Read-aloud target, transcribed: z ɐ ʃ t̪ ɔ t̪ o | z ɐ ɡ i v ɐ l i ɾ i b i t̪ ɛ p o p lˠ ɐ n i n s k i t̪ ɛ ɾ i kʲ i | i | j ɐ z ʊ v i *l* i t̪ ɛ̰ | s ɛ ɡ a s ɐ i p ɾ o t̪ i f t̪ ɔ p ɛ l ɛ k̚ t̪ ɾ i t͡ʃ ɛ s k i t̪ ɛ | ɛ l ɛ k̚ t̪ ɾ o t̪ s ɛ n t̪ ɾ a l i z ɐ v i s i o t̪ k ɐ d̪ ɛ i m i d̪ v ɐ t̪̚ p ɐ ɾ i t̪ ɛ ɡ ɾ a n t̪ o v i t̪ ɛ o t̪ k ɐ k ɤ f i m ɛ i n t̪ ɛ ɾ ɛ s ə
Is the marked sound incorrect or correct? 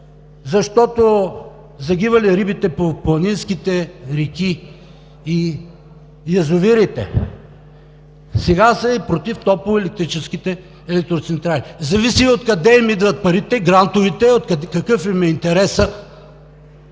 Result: incorrect